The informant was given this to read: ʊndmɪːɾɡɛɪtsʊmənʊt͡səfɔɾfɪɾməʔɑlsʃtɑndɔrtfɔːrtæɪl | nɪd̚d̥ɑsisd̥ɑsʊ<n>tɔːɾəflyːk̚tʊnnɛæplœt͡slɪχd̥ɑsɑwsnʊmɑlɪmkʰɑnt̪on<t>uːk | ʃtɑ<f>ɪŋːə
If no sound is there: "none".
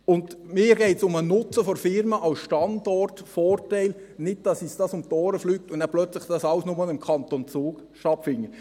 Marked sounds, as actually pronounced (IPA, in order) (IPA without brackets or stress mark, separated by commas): m, t͡s, f